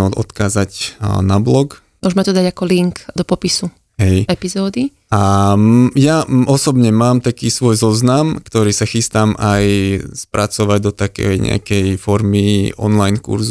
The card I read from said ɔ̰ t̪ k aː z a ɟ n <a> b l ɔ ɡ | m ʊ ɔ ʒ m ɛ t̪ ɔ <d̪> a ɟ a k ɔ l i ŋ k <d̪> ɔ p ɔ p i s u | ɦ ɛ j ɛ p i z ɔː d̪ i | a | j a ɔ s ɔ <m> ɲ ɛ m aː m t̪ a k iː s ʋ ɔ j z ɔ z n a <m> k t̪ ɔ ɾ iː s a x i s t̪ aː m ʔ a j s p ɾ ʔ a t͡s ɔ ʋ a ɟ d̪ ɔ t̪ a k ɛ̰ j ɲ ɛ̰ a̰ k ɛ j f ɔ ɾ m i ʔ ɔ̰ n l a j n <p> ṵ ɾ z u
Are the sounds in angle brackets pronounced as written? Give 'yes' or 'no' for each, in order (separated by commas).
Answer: yes, yes, yes, no, yes, no